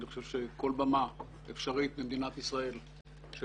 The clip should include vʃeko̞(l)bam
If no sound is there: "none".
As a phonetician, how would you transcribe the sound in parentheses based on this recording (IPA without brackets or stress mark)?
l